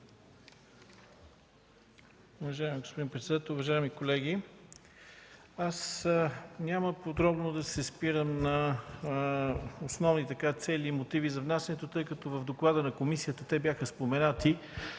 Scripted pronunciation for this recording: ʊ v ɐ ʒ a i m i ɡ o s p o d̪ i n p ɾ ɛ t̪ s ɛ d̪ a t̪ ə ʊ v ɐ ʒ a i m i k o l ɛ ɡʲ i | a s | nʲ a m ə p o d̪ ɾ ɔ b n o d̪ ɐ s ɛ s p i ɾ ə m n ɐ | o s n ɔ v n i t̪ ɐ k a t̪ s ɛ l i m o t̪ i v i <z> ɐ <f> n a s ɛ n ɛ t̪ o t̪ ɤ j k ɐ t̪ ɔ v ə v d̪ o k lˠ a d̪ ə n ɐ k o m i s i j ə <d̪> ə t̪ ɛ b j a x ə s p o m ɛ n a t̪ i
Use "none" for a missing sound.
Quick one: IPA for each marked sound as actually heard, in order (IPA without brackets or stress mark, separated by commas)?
z, v, t̪